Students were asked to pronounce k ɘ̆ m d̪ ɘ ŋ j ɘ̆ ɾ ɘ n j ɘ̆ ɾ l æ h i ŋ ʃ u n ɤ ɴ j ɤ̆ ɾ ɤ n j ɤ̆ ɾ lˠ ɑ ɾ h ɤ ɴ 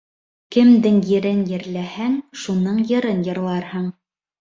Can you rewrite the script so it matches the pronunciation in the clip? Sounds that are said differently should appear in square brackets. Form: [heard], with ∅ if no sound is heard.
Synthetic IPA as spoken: k ɘ̆ m d̪ ɘ ŋ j ɘ̆ ɾ ɘ n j ɘ̆ ɾ l æ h [æ] ŋ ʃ u n ɤ ɴ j ɤ̆ ɾ ɤ n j ɤ̆ ɾ lˠ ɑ ɾ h ɤ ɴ

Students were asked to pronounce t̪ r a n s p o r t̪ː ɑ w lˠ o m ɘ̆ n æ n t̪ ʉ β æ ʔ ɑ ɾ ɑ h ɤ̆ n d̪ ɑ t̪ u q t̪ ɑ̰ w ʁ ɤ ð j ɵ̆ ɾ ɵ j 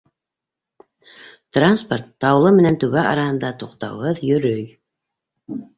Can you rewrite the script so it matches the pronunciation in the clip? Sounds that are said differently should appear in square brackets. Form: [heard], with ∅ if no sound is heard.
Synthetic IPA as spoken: t̪ r a n s p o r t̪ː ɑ w lˠ [ɤ] m ɘ̆ n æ n t̪ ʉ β æ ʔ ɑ ɾ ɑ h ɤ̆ n d̪ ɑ t̪ u q t̪ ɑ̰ w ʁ ɤ ð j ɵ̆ ɾ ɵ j

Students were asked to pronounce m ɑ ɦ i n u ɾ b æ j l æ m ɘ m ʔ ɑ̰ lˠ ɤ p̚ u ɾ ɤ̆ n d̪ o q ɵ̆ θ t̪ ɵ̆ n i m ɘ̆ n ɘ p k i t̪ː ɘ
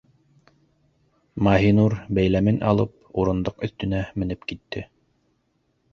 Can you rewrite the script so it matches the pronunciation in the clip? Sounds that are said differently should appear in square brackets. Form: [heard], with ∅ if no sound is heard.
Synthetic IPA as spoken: m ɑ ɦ i n u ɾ b æ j l æ m ɘ [n] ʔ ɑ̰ lˠ ɤ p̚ u ɾ ɤ̆ n d̪ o q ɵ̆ θ t̪ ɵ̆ n [æ] m ɘ̆ n ɘ p k i t̪ː ɘ

